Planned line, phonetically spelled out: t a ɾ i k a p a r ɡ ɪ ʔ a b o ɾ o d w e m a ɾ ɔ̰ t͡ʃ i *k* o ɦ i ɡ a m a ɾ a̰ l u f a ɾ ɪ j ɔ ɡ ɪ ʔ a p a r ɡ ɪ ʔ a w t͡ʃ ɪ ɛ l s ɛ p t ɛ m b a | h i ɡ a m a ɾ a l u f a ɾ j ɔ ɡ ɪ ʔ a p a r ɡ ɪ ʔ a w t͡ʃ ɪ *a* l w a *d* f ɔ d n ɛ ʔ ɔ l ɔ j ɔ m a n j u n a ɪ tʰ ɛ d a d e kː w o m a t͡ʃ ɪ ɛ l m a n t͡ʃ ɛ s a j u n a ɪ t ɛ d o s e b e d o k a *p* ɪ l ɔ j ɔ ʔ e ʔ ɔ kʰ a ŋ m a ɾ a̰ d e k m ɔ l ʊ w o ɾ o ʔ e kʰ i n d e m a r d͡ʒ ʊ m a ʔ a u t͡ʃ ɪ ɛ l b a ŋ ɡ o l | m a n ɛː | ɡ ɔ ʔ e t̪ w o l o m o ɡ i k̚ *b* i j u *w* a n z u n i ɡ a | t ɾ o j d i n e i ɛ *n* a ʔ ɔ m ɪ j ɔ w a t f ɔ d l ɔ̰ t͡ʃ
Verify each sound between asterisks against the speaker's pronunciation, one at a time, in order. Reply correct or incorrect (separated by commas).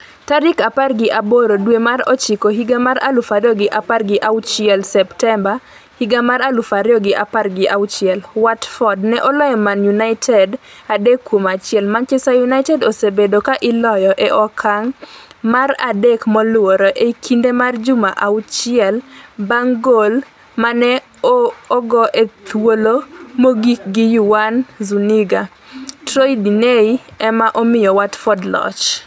correct, incorrect, incorrect, incorrect, incorrect, correct, incorrect